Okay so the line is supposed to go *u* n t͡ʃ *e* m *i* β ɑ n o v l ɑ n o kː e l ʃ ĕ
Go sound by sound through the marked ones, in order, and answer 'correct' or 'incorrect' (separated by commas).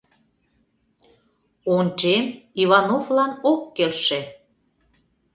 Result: incorrect, correct, correct